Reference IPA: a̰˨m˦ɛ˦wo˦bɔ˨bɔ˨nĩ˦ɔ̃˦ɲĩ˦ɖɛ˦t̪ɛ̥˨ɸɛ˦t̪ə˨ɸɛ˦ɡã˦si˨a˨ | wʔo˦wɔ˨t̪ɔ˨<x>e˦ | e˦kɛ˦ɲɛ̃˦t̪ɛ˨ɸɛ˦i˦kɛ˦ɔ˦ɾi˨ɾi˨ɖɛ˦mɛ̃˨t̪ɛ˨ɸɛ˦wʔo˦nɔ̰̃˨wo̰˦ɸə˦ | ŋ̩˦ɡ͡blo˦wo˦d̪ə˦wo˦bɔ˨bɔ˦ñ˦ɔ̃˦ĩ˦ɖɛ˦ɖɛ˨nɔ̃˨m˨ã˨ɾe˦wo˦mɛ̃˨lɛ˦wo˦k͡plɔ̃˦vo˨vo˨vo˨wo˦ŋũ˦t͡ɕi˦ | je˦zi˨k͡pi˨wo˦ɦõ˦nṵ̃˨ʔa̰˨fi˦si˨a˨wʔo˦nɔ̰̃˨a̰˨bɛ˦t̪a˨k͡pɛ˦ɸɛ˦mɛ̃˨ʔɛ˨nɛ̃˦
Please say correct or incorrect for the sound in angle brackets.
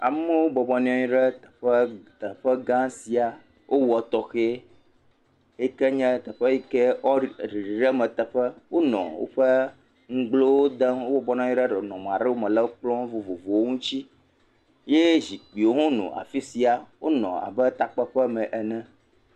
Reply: correct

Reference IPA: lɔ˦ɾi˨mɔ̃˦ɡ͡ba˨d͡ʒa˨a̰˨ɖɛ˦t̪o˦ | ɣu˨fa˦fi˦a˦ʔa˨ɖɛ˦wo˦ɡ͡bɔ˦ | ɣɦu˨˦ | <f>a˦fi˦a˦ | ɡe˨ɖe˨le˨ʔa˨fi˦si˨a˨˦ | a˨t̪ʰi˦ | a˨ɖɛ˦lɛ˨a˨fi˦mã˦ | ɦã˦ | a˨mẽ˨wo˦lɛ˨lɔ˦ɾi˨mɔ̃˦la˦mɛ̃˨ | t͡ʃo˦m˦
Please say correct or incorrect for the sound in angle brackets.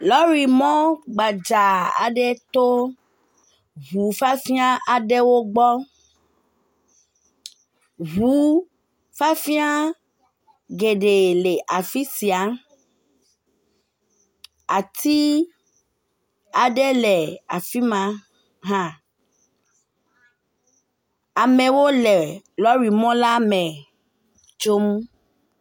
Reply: correct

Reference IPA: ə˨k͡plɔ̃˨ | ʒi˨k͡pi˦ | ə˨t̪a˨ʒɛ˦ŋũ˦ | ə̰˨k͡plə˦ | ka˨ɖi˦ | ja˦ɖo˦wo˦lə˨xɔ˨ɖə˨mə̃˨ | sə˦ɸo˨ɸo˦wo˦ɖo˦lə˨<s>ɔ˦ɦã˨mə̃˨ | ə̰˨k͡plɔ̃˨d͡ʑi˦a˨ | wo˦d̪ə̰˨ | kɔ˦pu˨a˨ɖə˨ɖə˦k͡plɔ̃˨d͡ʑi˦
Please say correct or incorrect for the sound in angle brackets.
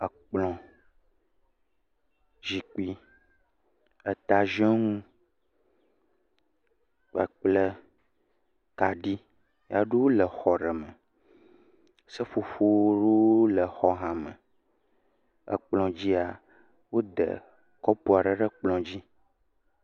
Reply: incorrect: x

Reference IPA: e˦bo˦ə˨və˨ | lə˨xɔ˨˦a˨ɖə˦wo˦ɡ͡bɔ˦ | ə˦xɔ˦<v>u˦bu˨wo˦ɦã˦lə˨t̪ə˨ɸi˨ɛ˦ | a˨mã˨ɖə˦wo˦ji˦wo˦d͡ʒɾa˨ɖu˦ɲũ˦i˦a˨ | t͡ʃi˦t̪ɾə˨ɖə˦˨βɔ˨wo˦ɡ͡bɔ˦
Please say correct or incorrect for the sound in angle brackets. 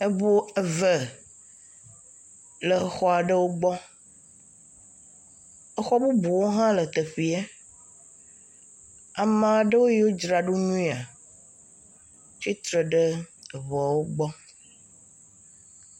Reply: incorrect: b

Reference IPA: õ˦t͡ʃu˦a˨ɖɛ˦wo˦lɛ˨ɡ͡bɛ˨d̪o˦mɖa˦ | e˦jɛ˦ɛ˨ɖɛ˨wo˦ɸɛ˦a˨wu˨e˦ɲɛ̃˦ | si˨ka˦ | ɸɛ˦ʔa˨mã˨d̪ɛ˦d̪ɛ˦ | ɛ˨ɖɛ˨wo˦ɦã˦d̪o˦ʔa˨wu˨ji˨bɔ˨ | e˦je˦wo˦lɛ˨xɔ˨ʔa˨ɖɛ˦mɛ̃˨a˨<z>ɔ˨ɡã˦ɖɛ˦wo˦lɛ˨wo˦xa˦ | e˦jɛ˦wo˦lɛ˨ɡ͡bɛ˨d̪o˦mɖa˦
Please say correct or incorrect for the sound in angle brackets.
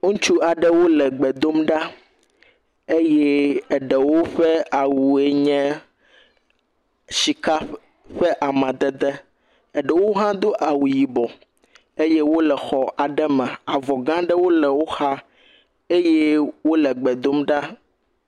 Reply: incorrect: v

